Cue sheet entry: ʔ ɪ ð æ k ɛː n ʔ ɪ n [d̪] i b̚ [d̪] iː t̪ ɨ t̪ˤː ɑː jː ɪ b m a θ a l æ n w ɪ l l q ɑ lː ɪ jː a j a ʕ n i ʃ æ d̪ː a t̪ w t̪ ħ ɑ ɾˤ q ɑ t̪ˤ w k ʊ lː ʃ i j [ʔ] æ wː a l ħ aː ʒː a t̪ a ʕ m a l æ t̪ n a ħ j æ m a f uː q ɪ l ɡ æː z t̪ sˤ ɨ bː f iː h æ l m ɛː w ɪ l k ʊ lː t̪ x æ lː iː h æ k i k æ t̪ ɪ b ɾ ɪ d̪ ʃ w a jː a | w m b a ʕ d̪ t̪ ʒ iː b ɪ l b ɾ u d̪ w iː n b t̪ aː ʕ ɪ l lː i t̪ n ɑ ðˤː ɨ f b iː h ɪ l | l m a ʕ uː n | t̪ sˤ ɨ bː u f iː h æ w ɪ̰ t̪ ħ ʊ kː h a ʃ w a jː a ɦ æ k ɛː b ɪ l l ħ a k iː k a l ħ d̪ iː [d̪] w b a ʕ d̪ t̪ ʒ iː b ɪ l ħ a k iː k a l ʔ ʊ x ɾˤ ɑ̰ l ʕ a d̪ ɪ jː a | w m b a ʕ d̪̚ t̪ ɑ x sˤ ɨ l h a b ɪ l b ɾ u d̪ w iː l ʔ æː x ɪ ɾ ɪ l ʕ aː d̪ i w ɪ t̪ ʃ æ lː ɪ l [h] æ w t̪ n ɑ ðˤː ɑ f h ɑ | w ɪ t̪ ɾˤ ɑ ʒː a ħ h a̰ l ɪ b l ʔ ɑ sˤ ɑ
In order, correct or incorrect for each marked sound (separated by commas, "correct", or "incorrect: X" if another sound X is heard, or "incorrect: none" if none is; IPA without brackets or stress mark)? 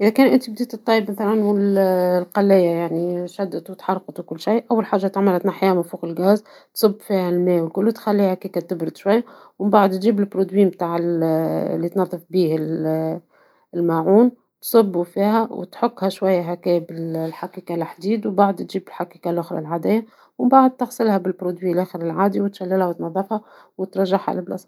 incorrect: t̪, correct, correct, correct, correct